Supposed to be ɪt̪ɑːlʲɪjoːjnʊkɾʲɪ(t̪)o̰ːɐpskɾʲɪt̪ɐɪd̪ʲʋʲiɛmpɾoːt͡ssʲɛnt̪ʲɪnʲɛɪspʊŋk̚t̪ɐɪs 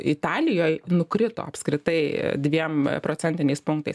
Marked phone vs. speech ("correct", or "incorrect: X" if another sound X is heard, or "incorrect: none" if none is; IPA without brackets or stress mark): correct